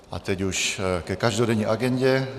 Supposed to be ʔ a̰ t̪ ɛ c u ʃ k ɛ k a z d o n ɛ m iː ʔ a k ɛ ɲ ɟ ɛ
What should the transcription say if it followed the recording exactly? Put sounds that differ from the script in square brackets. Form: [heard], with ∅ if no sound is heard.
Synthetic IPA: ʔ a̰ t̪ ɛ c u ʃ k ɛ k a [ʒ] d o [d] ɛ [ɲ] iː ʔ a [ɡ] ɛ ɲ ɟ ɛ